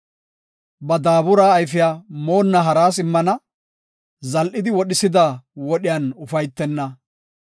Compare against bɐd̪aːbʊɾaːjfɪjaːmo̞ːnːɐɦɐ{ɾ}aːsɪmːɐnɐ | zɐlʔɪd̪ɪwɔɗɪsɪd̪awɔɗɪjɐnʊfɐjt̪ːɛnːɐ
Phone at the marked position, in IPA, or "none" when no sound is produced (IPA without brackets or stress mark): ɾ